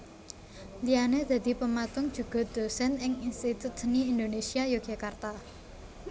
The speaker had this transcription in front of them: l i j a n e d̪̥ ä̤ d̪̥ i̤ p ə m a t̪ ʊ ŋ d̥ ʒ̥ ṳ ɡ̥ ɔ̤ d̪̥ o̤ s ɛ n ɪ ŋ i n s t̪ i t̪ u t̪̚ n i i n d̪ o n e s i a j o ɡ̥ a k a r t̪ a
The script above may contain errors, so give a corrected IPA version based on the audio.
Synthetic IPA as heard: l i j a n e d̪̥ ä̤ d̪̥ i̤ p ə m a t̪ ʊ ŋ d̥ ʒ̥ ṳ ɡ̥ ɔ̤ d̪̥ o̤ s ɛ n ɪ ŋ i n s t̪ i t̪ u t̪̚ n i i n d̪ o n e s i a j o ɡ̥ a k a r t̪ a